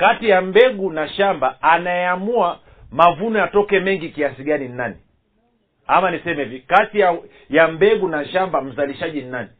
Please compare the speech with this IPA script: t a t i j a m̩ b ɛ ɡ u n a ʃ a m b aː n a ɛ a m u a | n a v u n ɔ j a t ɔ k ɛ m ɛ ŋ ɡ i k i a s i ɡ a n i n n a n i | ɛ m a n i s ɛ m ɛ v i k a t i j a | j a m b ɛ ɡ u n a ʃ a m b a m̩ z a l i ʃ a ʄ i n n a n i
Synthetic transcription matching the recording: k a t i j a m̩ b ɛ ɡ u n a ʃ a m b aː n a ɛ a m u a | m a v u n ɔ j a t ɔ k ɛ m ɛ ŋ ɡ i k i a s i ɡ a n i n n a n i | a m a n i s ɛ m ɛ v i k a t i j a | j a m b ɛ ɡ u n a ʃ a m b a m̩ z a l i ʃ a ʄ i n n a n i